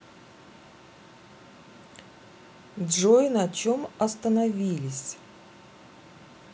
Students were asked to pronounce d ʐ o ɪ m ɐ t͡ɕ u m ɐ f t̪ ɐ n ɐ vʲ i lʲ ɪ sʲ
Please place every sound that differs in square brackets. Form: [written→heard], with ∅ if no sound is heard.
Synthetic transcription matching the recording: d ʐ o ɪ [m→n] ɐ t͡ɕ [u→o] m ɐ [f→s] t̪ [ɐ→ə] n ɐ vʲ i lʲ ɪ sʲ